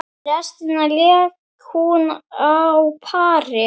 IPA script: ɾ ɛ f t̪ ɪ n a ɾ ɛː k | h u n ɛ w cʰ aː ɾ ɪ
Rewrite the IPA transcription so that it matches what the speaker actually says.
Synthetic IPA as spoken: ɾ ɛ s t̪ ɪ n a l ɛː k | h u n a w pʰ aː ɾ ɪ